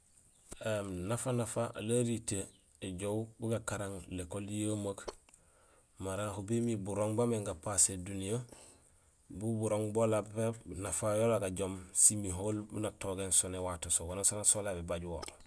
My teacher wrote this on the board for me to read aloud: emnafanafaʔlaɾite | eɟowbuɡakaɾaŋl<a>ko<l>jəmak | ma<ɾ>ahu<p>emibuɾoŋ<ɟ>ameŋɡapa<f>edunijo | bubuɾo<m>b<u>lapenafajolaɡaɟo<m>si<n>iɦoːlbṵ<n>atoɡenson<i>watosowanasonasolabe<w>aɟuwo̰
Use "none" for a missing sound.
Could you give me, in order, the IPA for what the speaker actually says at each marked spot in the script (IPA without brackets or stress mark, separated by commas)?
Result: e, l, ɾ, b, b, s, ŋ, o, m, m, n, e, b